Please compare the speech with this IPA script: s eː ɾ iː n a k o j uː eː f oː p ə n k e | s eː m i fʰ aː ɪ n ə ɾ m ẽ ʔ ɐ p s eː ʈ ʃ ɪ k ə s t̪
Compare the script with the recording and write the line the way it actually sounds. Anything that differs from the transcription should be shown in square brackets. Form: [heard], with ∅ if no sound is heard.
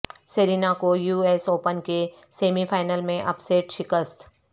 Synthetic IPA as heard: s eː ɾ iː n a k o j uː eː [s] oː p ə n k e | s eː m i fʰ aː ɪ n ə [l] m ẽ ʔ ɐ p s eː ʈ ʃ ɪ k ə s t̪